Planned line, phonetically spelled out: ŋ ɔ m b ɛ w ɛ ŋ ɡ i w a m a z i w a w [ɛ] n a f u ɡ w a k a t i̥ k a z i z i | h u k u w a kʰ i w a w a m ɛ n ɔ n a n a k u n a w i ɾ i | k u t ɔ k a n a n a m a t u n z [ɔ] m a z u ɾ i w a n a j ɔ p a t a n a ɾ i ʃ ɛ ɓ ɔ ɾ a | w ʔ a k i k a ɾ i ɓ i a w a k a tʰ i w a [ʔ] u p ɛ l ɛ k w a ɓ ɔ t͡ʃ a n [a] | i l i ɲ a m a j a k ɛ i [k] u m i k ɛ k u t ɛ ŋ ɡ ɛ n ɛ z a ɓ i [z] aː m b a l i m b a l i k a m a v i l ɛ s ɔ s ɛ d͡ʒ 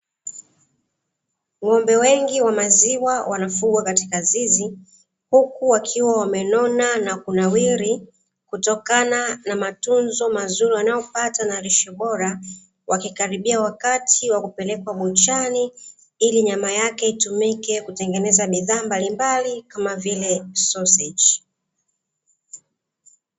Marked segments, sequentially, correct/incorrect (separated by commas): incorrect, correct, incorrect, incorrect, incorrect, incorrect